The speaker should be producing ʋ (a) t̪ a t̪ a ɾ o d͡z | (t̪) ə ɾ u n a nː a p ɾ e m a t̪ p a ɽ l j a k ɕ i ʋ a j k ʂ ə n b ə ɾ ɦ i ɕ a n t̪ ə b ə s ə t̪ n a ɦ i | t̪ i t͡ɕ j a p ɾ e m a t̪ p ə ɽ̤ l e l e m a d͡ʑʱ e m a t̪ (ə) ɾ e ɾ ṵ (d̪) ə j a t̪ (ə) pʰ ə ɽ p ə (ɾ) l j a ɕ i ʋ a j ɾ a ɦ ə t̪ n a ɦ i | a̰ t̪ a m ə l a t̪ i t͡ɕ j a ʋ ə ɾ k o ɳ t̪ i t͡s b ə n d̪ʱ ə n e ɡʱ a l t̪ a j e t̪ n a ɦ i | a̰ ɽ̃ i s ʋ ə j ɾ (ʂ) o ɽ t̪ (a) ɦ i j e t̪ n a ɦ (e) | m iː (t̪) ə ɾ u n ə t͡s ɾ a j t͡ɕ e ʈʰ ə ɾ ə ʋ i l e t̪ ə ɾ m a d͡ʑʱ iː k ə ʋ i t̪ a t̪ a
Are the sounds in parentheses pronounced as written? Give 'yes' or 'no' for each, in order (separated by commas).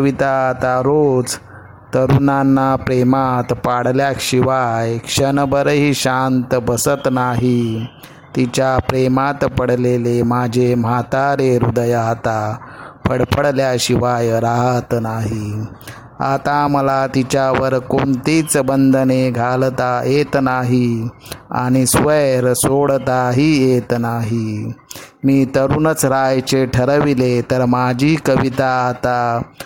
no, yes, no, yes, no, no, no, yes, no, yes